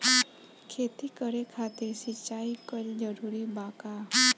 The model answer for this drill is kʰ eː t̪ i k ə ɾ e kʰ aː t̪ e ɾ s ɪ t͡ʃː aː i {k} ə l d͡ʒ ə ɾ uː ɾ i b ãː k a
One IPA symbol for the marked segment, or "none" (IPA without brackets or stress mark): k